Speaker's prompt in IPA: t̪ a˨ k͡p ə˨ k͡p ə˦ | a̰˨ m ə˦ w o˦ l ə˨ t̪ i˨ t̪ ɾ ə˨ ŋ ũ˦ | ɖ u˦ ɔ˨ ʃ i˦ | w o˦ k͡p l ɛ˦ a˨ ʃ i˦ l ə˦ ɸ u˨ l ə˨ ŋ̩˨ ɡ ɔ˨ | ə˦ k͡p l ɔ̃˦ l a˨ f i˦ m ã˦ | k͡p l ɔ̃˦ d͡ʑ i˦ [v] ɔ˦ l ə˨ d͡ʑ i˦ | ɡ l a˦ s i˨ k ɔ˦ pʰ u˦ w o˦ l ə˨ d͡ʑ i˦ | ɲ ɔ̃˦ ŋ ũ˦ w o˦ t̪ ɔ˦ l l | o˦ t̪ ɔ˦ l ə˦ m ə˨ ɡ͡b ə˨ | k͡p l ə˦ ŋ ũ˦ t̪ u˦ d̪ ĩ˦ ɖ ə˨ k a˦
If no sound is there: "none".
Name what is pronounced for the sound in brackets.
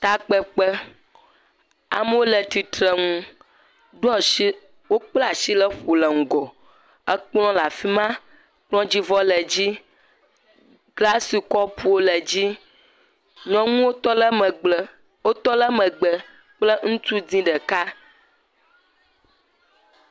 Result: v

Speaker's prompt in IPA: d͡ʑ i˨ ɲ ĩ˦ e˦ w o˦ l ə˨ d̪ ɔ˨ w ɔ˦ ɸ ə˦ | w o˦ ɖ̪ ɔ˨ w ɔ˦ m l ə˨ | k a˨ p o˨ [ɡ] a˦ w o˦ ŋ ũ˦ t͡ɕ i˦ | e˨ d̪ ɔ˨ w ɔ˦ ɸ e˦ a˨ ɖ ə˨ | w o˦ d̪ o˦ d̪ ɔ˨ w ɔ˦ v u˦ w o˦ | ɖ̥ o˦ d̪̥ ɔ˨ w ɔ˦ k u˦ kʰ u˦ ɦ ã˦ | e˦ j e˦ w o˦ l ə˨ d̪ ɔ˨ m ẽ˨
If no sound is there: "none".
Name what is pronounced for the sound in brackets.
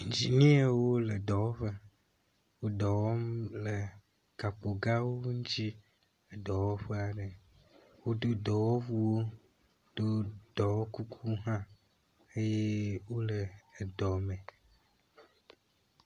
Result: ɡ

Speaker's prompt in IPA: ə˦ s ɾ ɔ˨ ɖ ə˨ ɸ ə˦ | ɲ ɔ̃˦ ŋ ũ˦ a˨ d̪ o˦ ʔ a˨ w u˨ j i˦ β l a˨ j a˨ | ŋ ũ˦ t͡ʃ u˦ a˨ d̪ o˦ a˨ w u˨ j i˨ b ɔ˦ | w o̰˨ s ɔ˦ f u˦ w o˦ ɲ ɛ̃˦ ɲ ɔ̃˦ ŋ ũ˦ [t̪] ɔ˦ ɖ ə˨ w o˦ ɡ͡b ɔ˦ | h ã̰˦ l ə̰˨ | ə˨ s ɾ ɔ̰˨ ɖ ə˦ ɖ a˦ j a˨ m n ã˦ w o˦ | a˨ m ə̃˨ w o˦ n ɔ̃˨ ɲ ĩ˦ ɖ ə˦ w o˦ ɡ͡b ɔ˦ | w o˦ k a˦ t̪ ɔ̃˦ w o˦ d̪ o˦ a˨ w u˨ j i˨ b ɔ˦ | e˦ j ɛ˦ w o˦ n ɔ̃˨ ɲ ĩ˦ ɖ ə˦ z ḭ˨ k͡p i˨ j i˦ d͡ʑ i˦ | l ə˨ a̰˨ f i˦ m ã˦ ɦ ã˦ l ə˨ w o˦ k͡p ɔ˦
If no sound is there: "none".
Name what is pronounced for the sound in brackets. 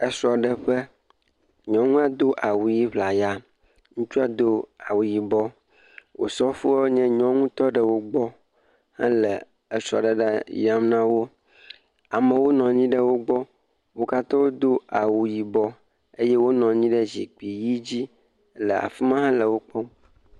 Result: t̪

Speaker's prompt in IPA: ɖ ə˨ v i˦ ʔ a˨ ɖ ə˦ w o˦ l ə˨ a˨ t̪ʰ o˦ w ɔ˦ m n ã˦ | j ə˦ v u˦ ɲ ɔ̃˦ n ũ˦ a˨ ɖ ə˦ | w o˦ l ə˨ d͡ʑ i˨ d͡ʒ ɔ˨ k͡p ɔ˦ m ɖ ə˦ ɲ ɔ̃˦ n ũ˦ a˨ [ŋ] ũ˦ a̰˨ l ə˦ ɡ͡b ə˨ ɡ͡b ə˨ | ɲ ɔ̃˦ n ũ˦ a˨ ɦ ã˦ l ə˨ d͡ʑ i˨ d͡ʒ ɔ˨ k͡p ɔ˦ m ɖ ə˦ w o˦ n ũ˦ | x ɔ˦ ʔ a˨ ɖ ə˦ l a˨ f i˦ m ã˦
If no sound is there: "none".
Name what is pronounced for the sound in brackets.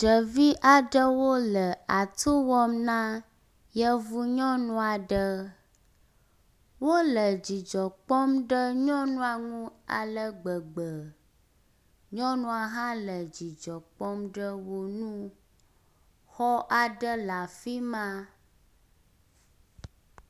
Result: ŋ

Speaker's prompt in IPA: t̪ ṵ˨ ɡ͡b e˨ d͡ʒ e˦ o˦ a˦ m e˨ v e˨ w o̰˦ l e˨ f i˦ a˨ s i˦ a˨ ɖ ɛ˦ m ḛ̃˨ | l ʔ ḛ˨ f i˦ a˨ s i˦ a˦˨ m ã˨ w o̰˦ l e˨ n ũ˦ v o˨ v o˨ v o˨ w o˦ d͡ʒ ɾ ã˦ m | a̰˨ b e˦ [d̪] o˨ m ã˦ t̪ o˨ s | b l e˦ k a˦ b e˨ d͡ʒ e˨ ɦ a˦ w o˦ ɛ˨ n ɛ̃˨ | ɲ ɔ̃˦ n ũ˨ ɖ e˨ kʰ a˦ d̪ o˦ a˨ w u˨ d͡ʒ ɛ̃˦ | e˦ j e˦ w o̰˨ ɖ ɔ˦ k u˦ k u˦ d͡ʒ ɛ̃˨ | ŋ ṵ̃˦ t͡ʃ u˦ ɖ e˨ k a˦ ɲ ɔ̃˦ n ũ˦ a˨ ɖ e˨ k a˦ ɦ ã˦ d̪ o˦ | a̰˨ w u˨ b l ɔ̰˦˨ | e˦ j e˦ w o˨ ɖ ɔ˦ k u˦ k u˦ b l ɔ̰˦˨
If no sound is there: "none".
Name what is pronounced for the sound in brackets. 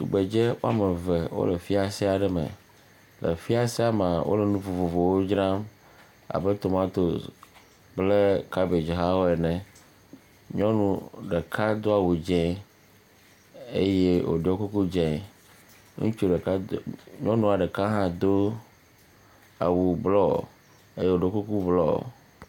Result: t̪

